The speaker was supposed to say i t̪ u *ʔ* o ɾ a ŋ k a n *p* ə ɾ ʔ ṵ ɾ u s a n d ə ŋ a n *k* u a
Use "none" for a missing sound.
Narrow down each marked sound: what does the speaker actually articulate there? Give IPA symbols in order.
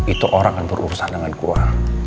ʔ, b, k

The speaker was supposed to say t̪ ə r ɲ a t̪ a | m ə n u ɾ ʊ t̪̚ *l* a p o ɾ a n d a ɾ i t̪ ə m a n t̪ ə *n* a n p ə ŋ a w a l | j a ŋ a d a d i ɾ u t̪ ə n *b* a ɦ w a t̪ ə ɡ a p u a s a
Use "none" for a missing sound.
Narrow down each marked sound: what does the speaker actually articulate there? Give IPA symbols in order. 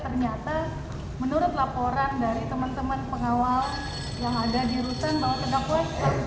l, m, b

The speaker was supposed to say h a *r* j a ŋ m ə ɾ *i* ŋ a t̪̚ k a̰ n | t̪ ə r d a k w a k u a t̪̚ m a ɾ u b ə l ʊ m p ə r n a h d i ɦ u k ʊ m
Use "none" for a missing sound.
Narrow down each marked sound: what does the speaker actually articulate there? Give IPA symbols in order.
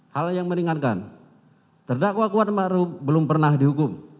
l, i

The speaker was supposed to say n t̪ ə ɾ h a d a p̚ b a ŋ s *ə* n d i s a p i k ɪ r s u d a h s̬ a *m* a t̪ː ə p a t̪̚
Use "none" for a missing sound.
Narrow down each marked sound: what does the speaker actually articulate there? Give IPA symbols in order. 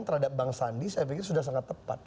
a, ŋ

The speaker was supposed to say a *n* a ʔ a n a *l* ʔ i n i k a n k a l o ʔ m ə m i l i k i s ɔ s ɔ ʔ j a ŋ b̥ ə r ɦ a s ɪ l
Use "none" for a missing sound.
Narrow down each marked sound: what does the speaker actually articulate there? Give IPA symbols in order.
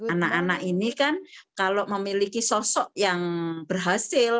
n, none

